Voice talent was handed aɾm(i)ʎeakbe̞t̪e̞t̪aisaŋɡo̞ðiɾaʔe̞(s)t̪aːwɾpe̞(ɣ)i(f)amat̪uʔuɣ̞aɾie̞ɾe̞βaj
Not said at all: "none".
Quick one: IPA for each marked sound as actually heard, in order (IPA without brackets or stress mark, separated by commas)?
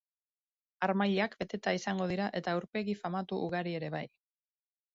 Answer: a, none, ɣ, f